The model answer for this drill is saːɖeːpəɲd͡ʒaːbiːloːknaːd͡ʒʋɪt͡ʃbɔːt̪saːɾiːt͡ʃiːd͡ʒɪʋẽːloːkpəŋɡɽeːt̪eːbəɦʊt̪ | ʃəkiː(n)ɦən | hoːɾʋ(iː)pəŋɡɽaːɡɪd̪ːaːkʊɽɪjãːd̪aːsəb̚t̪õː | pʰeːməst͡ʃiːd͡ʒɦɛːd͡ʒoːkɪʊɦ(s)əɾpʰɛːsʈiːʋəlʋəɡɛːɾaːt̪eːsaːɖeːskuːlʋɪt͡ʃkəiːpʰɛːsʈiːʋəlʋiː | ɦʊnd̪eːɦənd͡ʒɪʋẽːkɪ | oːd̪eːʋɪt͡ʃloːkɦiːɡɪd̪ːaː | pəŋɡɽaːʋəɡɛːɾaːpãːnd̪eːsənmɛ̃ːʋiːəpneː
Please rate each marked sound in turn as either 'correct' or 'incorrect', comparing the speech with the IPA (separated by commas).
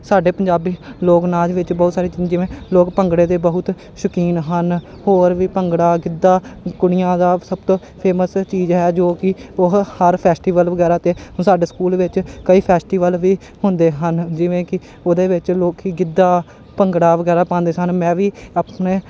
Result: correct, correct, incorrect